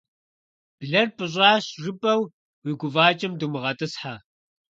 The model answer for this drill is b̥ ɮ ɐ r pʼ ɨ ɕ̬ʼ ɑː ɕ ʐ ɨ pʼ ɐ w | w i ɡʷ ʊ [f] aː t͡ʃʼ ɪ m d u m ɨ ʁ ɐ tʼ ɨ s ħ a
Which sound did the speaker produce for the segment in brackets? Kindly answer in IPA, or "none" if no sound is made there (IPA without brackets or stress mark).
v